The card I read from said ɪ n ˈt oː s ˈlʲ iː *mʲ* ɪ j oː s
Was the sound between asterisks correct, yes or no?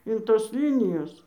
no